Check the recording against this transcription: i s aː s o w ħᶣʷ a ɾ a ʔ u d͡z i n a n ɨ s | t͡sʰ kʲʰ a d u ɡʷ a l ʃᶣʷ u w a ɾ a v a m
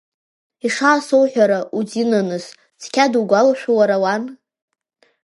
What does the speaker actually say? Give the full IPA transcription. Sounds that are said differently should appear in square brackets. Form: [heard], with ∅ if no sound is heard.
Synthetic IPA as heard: i [ʂ] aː s o w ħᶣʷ a ɾ a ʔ u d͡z i n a n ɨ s | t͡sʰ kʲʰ a d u ɡʷ a l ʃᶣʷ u w a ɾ a [w] a [n]